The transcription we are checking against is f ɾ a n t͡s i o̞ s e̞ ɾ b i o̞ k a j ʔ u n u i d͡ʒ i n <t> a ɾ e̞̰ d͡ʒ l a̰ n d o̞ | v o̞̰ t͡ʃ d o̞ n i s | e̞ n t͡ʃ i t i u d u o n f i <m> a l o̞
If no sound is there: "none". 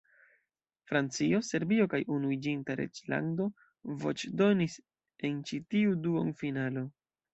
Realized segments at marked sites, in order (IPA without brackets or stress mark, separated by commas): t, n